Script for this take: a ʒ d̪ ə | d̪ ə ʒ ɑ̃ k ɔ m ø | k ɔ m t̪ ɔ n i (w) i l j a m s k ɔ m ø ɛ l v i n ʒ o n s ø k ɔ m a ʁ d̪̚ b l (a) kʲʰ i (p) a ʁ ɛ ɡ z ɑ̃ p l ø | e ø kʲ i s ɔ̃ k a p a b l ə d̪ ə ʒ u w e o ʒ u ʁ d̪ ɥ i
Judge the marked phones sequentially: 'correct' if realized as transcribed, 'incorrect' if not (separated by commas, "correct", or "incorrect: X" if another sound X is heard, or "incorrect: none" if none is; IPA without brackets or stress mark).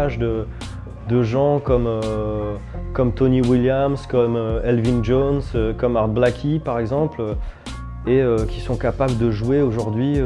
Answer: correct, correct, correct